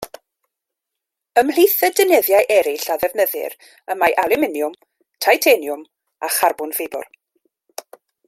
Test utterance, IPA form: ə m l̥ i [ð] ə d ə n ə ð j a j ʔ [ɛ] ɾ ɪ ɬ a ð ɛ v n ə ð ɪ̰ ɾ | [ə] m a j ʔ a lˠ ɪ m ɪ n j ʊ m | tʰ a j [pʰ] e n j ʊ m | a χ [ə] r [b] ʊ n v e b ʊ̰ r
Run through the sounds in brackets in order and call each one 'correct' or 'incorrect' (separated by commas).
incorrect, correct, correct, incorrect, incorrect, correct